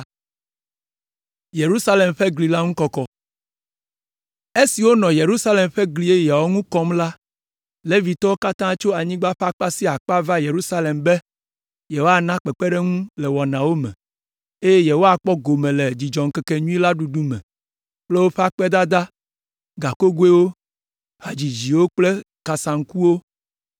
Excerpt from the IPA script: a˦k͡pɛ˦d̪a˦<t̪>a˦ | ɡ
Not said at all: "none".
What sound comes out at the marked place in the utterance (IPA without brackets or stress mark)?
d̪